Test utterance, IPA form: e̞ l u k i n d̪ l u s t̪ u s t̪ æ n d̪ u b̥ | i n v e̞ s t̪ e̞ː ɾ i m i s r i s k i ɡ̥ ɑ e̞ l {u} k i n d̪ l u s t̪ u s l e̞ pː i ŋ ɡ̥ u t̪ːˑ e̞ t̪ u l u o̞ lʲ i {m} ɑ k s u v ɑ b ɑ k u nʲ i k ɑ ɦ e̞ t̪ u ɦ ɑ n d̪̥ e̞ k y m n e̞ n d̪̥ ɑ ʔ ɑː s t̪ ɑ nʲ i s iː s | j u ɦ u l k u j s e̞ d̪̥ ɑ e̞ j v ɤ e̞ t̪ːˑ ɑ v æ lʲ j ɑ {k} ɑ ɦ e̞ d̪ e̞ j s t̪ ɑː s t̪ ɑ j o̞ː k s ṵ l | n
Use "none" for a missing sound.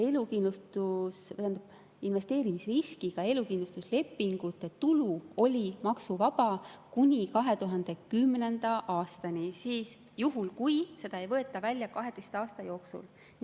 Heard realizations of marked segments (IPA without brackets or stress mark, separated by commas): u, m, k